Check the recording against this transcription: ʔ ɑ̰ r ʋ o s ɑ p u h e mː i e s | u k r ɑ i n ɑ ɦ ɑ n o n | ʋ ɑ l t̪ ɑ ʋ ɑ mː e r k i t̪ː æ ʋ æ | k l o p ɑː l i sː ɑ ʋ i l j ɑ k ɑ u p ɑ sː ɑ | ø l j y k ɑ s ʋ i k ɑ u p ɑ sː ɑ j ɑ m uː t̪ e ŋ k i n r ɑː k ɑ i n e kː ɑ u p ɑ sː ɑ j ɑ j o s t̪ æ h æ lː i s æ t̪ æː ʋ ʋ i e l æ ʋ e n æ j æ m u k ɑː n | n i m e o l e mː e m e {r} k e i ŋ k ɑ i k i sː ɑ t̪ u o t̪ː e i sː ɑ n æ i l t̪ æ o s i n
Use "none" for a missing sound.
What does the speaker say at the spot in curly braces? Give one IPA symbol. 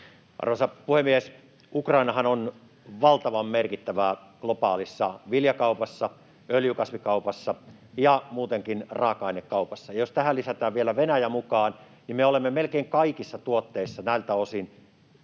l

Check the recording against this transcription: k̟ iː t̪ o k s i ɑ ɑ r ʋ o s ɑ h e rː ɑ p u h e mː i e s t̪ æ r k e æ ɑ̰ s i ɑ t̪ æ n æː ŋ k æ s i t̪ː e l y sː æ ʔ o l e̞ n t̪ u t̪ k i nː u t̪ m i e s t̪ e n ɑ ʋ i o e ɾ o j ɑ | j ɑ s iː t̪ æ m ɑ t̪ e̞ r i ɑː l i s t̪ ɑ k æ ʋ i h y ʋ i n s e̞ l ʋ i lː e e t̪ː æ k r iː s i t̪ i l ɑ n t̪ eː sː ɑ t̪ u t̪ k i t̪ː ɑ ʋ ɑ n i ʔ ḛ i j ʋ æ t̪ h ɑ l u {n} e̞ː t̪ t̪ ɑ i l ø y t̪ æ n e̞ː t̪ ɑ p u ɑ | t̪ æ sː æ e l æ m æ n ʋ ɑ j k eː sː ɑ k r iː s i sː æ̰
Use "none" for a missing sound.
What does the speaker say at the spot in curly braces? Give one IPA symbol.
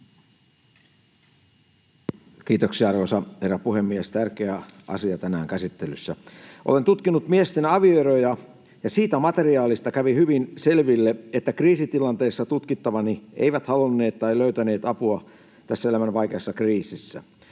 nː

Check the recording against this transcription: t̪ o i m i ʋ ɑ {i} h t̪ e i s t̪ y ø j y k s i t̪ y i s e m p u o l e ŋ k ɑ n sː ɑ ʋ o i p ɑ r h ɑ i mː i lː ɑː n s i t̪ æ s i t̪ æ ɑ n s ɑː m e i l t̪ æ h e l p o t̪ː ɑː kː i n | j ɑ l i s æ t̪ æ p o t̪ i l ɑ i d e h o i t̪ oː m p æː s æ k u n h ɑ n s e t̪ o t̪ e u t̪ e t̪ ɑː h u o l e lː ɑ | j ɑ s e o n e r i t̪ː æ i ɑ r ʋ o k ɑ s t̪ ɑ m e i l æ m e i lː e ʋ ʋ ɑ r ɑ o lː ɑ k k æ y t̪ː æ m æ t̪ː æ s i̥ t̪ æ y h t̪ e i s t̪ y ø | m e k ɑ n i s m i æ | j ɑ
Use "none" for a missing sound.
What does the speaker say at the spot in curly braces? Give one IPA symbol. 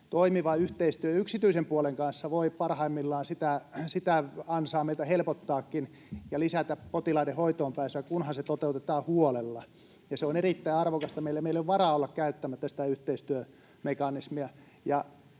y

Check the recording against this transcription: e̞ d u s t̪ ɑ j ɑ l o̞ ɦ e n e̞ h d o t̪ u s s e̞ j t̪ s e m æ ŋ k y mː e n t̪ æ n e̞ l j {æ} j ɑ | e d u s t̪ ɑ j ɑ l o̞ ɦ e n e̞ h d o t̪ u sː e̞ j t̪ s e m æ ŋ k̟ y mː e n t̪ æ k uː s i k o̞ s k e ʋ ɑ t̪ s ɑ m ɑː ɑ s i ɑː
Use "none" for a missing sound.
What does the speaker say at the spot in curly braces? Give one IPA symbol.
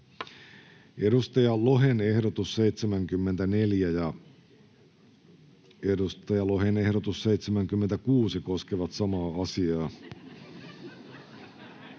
æ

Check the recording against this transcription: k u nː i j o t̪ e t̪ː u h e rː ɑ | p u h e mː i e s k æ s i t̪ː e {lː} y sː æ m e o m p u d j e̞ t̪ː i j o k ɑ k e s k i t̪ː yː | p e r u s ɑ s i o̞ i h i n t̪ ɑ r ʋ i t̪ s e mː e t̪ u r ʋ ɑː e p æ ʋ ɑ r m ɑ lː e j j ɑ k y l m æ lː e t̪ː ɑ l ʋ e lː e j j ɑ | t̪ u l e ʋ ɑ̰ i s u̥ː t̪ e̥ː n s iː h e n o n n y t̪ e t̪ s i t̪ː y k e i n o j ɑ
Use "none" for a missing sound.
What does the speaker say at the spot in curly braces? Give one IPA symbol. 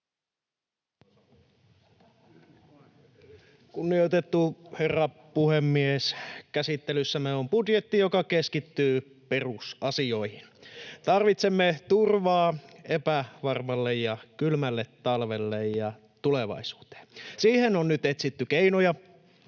l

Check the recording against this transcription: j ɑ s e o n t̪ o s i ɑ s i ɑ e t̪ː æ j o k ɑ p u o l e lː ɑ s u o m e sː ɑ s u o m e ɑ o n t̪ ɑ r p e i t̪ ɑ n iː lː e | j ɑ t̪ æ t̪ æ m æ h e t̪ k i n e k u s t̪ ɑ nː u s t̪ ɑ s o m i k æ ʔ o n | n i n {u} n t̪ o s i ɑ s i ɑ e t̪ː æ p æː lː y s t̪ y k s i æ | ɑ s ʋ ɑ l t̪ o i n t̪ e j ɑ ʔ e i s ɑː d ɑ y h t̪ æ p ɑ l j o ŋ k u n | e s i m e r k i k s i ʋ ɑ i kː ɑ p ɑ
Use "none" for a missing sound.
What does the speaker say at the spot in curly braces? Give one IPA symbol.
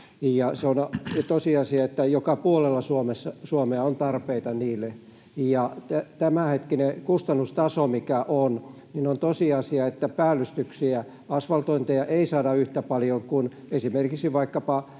o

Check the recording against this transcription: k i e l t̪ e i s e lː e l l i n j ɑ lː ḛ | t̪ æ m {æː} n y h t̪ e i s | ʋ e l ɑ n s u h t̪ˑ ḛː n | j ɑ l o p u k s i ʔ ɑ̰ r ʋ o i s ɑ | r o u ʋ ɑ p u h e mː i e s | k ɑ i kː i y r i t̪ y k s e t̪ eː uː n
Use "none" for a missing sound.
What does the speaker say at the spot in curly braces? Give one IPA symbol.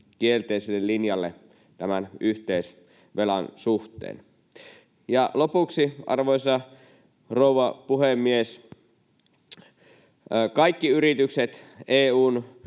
æ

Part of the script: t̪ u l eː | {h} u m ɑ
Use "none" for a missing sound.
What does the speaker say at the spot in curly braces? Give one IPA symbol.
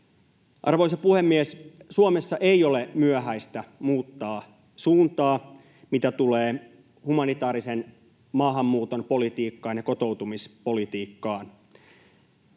h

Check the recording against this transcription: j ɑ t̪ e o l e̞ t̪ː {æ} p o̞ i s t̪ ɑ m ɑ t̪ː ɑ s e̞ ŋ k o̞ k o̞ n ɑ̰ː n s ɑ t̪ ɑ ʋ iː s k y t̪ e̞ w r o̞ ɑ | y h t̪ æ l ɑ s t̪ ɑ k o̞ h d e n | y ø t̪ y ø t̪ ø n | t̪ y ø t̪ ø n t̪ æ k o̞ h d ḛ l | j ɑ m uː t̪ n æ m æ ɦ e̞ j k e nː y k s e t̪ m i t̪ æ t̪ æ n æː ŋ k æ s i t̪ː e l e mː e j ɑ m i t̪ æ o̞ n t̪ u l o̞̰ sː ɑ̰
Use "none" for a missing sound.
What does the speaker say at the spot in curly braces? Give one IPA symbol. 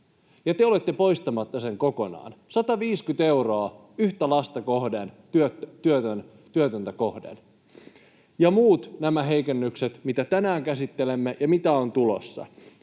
e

